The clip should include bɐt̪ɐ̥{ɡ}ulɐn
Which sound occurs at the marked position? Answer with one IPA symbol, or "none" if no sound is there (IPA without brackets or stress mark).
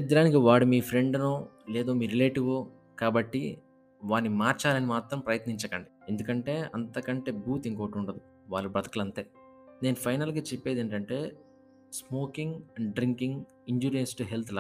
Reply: k